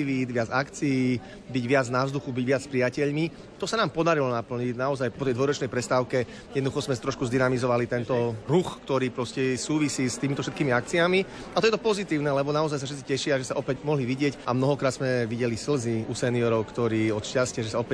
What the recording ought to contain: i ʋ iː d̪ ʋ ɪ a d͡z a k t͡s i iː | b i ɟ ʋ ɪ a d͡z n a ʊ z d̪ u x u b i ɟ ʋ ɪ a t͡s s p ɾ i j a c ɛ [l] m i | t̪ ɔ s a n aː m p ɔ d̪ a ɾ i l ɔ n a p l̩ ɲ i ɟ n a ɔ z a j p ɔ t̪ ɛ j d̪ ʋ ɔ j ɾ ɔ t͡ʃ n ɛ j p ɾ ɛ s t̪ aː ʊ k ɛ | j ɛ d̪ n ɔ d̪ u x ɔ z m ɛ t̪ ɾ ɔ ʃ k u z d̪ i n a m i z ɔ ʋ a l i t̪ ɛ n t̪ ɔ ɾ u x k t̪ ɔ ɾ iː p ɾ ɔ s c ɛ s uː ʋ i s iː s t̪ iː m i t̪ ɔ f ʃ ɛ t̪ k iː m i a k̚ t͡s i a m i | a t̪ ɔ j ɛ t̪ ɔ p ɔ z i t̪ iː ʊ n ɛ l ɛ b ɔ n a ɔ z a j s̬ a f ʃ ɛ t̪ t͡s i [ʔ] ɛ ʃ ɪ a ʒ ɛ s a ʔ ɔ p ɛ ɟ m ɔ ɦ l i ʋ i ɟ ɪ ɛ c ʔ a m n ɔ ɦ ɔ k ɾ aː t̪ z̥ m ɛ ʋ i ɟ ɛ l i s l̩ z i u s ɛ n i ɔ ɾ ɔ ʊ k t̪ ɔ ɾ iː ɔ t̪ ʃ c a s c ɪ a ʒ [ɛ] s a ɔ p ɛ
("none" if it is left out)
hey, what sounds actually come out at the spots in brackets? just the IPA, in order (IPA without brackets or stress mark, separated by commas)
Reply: ʎ, c, ɛ